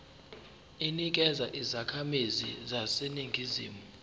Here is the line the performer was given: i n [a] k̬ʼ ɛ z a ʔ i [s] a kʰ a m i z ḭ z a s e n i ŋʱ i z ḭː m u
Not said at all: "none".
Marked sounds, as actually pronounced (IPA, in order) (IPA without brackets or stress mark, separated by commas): i, z